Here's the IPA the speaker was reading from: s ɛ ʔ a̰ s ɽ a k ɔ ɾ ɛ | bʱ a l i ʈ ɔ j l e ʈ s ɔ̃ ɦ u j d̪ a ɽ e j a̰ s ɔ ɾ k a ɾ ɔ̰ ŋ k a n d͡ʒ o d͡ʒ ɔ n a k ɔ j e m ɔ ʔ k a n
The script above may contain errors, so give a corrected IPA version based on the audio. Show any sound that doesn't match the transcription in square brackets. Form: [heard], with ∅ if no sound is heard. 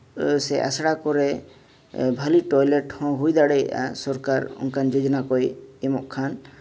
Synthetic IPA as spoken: s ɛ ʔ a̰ s ɽ a k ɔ ɾ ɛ | bʱ a l i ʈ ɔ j l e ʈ [h] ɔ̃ ɦ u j d̪ a ɽ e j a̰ s ɔ ɾ k a ɾ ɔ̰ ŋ k a n d͡ʒ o d͡ʒ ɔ n a k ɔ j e m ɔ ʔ [kʰ] a n